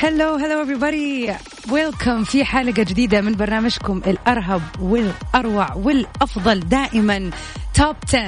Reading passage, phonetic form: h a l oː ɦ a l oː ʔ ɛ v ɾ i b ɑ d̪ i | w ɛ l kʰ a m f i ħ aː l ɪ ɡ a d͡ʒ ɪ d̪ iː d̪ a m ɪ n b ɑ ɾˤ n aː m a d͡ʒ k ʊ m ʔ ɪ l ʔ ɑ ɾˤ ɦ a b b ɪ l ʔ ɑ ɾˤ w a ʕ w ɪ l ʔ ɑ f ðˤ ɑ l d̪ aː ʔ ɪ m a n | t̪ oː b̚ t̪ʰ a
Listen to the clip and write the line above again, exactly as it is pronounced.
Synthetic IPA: h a l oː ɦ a l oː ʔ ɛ v ɾ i b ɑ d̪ i | w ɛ l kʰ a m f i ħ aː l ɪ ɡ a d͡ʒ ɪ d̪ iː d̪ a m ɪ n b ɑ ɾˤ n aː m a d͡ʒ k ʊ m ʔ ɪ l ʔ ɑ ɾˤ ɦ a b w ɪ l ʔ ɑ ɾˤ w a ʕ w ɪ l ʔ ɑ f ðˤ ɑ l d̪ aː ʔ ɪ m a n | t̪ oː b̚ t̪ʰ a